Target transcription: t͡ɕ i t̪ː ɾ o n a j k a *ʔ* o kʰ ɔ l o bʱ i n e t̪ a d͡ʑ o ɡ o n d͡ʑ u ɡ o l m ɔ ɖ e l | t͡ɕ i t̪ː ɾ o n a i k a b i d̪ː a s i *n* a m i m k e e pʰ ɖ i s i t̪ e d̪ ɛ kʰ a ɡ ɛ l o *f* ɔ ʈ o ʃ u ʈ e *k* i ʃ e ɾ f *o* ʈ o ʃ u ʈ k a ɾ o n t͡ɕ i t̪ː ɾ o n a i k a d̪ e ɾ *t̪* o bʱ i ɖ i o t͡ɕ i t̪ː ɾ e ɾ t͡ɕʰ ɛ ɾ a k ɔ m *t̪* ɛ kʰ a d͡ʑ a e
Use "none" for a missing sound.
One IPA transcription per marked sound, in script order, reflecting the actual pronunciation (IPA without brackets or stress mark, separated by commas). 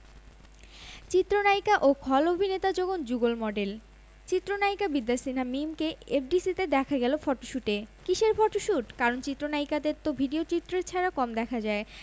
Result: ʔ, n, f, k, ɔ, t̪, d̪